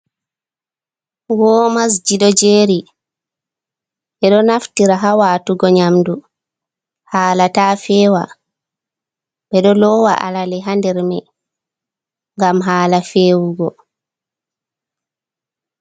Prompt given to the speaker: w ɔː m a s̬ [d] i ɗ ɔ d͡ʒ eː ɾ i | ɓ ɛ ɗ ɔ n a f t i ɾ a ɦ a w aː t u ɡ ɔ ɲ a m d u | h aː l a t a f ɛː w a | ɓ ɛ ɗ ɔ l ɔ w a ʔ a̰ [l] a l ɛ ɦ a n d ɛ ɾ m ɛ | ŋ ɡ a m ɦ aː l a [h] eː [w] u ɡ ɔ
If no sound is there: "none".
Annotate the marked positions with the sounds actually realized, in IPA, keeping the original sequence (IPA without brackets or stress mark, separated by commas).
d͡ʒ, l, f, w